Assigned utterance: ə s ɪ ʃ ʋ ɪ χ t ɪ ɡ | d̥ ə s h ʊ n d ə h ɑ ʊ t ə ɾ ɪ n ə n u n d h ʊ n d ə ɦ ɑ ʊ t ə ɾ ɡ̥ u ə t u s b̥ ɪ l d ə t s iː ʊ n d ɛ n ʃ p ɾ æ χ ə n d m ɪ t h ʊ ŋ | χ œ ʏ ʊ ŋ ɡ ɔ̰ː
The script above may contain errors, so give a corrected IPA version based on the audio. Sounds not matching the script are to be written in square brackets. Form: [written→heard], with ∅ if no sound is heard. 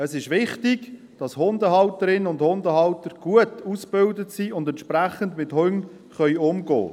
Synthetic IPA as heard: ə s ɪ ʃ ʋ ɪ χ t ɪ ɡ | d̥ [ə→ɑ] s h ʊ n d ə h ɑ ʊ t ə ɾ ɪ n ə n [u→ʊ] n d h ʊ n d ə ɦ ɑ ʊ t ə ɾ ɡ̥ u ə t u s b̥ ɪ l d ə t s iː ʊ n d ɛ n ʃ p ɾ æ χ ə n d m ɪ t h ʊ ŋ | χ œ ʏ ʊ [ŋ→m] ɡ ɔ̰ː